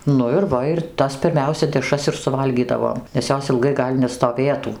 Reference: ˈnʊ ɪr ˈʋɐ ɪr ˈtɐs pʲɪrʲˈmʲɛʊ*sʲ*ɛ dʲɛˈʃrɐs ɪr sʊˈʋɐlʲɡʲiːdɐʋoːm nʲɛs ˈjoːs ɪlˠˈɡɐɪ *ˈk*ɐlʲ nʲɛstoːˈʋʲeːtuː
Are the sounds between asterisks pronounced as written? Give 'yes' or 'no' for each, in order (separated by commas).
yes, no